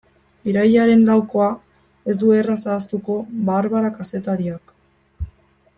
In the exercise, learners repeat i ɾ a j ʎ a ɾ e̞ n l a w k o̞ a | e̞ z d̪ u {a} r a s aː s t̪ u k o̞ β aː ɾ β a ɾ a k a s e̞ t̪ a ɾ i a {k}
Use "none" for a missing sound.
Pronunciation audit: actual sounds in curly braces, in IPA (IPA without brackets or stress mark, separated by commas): e, k